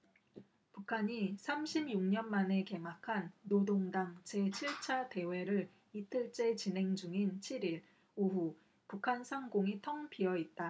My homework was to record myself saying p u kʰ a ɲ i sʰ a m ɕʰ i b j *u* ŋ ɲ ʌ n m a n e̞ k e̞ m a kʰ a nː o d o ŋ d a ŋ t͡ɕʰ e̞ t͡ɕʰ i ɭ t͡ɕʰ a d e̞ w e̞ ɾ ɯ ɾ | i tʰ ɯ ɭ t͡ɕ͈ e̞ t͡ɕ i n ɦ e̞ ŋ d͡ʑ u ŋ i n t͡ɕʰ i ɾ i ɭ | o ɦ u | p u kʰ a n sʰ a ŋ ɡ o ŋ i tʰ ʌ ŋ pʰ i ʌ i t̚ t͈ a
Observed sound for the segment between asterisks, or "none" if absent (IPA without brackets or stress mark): u